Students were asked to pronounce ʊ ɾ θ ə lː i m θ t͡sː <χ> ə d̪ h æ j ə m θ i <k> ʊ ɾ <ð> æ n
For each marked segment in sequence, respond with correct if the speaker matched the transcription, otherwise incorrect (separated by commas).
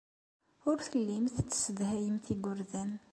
incorrect, incorrect, correct